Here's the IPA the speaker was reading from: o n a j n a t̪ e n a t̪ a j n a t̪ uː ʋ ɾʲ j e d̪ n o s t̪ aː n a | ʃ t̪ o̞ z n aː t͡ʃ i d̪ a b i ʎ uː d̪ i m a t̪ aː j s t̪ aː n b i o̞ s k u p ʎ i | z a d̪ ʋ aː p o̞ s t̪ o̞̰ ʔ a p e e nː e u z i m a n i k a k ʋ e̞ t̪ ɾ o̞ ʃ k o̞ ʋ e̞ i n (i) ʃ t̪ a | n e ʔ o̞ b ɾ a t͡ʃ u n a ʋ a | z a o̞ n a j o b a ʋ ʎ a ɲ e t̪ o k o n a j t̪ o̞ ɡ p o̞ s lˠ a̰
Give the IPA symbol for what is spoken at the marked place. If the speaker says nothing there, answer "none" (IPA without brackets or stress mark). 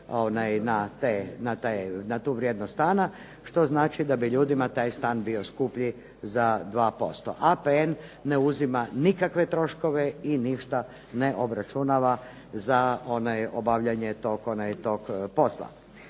i